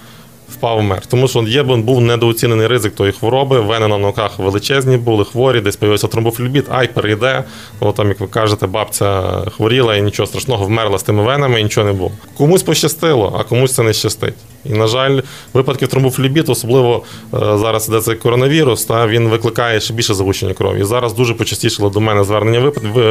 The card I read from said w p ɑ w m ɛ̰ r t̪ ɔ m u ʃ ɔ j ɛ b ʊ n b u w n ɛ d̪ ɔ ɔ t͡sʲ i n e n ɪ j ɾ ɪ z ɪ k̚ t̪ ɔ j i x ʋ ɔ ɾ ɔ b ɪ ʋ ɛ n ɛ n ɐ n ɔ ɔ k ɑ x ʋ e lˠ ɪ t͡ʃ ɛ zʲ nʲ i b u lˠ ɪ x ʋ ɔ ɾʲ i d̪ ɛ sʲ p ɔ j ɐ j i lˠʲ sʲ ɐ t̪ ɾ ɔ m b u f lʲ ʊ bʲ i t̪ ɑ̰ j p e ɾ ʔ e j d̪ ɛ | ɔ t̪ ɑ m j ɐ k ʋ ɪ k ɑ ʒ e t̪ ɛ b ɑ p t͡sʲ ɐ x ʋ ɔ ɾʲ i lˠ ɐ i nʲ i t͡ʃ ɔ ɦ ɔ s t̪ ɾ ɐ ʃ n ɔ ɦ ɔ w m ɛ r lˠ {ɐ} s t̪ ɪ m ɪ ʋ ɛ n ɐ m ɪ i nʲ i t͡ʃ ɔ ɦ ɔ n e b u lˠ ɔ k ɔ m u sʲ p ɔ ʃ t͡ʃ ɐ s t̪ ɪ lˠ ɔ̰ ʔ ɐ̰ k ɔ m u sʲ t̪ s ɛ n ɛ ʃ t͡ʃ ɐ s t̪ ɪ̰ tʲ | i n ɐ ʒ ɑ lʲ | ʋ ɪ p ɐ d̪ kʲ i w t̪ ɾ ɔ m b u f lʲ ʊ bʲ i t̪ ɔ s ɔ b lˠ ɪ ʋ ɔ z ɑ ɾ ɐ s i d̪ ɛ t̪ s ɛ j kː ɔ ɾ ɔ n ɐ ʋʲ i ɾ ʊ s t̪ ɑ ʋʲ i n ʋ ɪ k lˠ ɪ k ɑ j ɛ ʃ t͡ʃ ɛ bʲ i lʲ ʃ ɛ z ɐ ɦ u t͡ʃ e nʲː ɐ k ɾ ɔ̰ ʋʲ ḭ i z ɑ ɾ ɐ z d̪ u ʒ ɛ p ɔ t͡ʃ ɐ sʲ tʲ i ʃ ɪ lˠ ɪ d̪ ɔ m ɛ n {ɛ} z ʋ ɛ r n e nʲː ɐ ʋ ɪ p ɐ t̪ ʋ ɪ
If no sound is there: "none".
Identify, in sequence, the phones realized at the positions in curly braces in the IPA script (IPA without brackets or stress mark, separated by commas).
ɐ, ɛ